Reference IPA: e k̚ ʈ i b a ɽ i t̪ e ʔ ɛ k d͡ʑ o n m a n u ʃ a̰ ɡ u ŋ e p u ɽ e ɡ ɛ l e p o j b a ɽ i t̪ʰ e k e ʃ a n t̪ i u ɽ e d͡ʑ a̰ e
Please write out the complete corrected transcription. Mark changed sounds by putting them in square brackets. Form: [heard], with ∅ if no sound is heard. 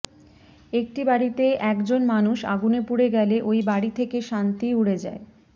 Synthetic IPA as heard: e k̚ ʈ i b a ɽ i t̪ e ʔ ɛ k d͡ʑ o n m a n u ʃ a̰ ɡ u [n] e p u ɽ e ɡ ɛ l e [ʔ] o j b a ɽ i t̪ʰ e k e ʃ a n t̪ i u ɽ e d͡ʑ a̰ e

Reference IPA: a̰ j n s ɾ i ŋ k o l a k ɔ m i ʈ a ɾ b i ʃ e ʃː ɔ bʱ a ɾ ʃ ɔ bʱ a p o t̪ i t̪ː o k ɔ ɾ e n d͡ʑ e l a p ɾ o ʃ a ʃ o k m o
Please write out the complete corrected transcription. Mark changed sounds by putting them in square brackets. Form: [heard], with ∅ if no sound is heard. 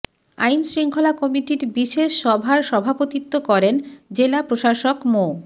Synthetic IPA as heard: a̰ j n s ɾ i ŋ [kʰ] o l a k ɔ m i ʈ [i] ɾ b i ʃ e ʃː ɔ bʱ a ɾ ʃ ɔ bʱ a p o t̪ i t̪ː o k ɔ ɾ e n d͡ʑ e l a p ɾ o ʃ a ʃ o k m o

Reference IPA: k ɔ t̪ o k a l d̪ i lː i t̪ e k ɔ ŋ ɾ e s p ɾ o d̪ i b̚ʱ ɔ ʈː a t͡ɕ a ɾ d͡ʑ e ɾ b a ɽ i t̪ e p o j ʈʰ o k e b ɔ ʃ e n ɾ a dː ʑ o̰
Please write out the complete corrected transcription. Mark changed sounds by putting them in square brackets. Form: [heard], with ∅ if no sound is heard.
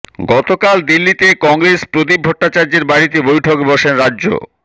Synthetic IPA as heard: [ɡ] ɔ t̪ o k a l d̪ i lː i t̪ e k ɔ ŋ ɾ e s p ɾ o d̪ i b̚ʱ ɔ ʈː a t͡ɕ a ɾ d͡ʑ e ɾ b a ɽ i t̪ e [b] o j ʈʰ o k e b ɔ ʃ e n ɾ a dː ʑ o̰

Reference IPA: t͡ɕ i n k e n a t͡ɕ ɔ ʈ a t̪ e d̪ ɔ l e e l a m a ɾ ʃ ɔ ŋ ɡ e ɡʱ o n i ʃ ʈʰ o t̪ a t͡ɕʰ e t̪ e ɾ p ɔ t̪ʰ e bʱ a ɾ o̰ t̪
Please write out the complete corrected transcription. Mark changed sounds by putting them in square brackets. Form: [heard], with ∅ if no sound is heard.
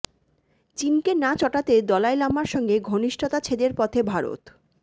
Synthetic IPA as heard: t͡ɕ i n k e n a t͡ɕ ɔ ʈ a t̪ e d̪ ɔ l [a] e l a m a ɾ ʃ ɔ ŋ ɡ e ɡʱ o n i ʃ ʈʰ o t̪ a t͡ɕʰ e [d̪] e ɾ p ɔ t̪ʰ e bʱ a ɾ o̰ t̪

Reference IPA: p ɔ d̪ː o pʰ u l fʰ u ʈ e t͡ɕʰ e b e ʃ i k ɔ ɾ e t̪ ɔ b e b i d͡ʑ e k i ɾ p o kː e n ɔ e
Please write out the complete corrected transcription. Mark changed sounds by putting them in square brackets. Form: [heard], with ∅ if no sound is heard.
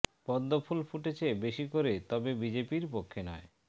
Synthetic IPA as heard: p ɔ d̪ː o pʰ u l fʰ u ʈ e t͡ɕʰ e b e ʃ i k [o] ɾ e t̪ ɔ b e b i d͡ʑ e [p] i ɾ p o [kʰː] e n ɔ e

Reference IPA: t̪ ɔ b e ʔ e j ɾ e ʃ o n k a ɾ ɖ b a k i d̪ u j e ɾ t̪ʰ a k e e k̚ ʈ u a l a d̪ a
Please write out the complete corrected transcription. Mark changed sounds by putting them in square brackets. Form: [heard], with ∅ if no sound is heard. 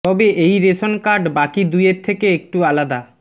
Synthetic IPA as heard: t̪ ɔ b e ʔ e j ɾ e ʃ o n k a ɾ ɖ b a k i d̪ u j e ɾ t̪ʰ [e] k e e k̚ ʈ u a l a d̪ a

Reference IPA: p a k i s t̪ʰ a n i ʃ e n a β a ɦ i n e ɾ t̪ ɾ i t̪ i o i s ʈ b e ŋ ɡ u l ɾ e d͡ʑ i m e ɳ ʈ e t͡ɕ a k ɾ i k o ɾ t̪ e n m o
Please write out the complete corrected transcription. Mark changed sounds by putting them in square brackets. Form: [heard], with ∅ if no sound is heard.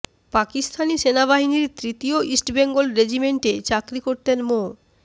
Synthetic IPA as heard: p a k i s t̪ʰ a n i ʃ e n a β a ɦ i n [i] ɾ t̪ ɾ i t̪ i o i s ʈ b e ŋ ɡ [o] l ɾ e d͡ʑ i m e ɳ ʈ e t͡ɕ a k ɾ i k o ɾ t̪ e n m o

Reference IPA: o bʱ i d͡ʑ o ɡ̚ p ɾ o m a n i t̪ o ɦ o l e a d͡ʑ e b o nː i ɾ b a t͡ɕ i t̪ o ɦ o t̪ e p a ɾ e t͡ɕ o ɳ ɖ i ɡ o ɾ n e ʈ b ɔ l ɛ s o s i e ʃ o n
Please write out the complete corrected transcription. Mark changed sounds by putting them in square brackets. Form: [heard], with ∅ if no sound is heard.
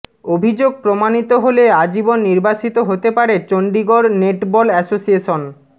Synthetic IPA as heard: o bʱ i d͡ʑ o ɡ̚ p ɾ o m a n i t̪ o ɦ o l e a d͡ʑ [i] b o nː i ɾ b a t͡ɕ i t̪ o ɦ o t̪ e p a ɾ e t͡ɕ o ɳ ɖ i ɡ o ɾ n e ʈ b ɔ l ɛ s o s i e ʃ o n

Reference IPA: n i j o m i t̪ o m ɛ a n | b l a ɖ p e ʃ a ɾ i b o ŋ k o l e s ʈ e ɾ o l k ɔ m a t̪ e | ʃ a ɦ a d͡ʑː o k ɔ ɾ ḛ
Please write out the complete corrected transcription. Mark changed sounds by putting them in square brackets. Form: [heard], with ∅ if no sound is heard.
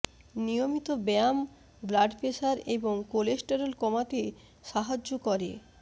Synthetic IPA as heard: n i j o m i t̪ o [b] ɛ a [m] | b l a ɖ p e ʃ a ɾ [e] b o ŋ k o l e s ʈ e ɾ o l k ɔ m a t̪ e | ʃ a ɦ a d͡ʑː o k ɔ ɾ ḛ

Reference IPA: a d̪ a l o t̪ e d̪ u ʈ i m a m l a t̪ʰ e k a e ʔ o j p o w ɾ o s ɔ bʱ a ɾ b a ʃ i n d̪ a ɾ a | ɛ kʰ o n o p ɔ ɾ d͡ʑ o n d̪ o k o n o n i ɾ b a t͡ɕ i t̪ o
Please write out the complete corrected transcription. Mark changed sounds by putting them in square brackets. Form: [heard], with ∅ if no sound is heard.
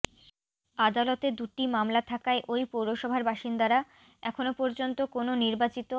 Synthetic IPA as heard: a d̪ a l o t̪ e d̪ u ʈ i m a m l a t̪ʰ [a] k a e ʔ o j p o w ɾ o [ʃ] ɔ bʱ a ɾ b a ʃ i n d̪ a ɾ a | ɛ kʰ o n o p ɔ ɾ d͡ʑ o n [t̪] o k o n o n i ɾ b a t͡ɕ i t̪ o

